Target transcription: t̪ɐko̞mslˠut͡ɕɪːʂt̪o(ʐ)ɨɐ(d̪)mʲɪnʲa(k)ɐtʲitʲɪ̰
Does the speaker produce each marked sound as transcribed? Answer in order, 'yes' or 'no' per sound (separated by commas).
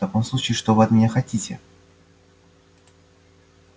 no, no, no